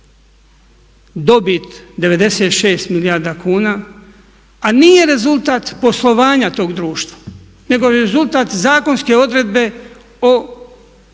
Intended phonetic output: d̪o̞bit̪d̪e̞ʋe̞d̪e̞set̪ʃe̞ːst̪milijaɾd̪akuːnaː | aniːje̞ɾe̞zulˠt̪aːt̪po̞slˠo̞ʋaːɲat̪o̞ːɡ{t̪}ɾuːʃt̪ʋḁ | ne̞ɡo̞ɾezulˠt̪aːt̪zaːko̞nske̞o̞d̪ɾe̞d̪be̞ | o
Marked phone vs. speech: incorrect: d̪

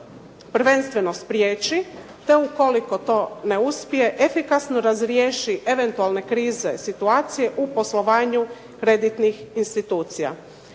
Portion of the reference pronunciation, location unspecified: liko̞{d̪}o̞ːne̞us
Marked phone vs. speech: incorrect: t̪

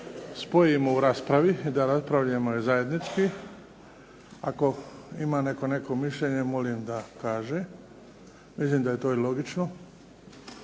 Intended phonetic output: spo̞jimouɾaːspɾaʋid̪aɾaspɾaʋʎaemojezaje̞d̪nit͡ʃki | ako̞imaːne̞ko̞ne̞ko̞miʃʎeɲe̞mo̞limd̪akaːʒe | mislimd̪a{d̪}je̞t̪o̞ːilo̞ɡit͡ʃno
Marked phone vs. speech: incorrect: none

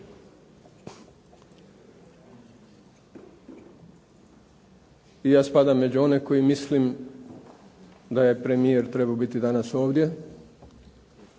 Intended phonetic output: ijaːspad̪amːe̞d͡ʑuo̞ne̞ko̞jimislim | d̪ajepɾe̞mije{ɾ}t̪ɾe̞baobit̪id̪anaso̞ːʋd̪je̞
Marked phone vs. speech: correct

